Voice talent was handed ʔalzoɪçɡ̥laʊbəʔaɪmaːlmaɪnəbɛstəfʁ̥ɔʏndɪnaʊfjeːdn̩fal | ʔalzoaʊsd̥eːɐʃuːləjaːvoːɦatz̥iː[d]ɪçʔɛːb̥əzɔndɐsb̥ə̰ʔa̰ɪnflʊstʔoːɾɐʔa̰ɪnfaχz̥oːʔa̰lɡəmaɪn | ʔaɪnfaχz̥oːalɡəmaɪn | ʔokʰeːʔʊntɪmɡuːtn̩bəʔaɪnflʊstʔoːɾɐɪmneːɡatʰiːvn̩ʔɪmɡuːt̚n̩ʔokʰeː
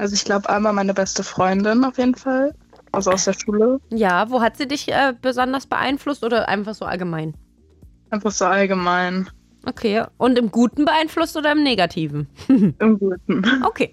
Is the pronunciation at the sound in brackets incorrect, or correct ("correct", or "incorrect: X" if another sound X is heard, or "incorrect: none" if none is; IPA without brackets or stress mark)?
correct